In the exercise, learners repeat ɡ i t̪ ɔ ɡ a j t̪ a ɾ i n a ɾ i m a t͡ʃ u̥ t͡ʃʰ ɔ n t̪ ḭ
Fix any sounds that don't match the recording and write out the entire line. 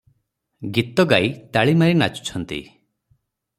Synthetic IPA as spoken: ɡ i t̪ ɔ ɡ a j t̪ a ɭ i m a ɾ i n a t͡ʃ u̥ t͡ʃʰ ɔ n t̪ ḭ